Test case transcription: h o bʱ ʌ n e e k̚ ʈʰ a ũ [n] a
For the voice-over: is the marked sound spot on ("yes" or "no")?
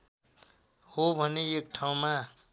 no